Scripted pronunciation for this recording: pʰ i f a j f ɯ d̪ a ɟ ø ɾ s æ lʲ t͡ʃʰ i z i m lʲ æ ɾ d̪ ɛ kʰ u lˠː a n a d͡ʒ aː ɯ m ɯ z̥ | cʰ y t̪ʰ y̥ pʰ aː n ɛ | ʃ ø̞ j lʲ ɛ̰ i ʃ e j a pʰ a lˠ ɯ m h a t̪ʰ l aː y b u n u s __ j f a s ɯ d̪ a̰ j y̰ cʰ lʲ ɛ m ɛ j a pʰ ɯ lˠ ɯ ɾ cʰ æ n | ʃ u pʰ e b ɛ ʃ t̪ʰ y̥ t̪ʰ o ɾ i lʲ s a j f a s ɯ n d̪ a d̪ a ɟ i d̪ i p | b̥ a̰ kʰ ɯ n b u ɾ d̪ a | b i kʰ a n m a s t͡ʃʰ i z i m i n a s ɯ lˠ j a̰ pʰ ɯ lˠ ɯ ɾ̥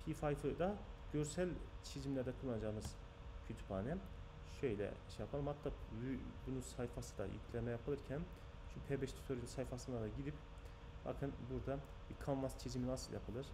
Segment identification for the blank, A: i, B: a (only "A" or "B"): B